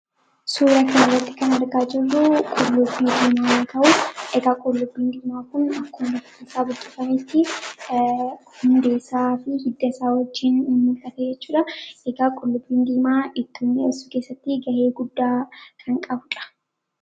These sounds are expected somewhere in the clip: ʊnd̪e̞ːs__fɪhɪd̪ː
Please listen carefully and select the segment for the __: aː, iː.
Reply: aː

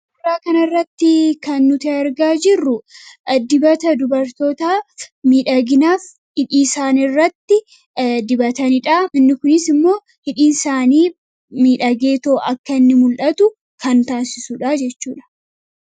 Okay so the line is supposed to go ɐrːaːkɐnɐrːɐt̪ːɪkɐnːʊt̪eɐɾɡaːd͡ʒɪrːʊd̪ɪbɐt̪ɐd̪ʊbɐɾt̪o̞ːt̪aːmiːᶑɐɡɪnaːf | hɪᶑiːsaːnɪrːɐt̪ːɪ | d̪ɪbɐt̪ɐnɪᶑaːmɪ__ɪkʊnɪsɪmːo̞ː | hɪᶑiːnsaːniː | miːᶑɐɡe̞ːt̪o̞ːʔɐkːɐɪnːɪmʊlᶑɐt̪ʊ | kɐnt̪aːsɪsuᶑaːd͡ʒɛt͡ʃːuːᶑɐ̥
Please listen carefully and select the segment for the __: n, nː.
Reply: nː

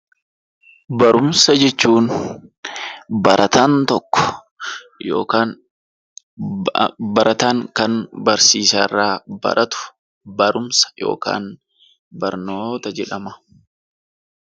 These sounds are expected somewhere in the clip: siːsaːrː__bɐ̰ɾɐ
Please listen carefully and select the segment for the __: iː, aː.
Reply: aː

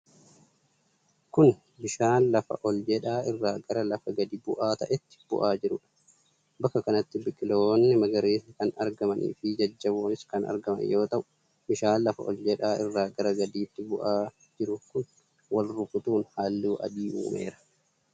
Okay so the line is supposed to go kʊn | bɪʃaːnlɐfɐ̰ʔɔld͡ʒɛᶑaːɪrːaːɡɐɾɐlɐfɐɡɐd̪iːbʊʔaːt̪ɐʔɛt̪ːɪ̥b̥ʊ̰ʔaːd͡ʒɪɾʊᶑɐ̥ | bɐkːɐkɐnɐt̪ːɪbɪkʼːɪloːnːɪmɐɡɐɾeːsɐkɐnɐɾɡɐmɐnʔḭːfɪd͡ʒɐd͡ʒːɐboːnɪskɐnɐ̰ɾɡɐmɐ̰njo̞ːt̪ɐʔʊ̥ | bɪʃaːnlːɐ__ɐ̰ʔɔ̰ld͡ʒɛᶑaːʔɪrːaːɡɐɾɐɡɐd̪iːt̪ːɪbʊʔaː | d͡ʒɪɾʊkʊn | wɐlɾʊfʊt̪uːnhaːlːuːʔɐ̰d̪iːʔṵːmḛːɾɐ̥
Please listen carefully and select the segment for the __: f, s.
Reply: f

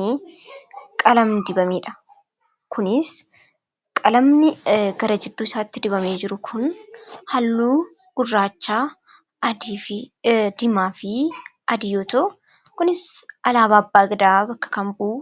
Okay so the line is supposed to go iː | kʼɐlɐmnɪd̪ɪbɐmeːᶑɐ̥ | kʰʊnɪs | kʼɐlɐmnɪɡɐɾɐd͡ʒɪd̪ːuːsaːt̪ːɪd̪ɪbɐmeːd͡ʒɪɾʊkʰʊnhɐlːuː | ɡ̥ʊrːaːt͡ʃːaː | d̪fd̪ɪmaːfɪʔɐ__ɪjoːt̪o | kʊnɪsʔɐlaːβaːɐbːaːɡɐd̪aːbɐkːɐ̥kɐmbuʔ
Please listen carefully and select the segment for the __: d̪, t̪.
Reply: d̪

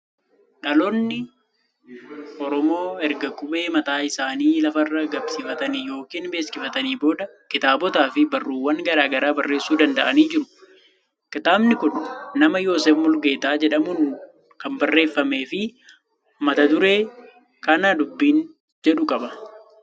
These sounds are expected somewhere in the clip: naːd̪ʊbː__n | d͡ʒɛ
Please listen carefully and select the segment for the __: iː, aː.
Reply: iː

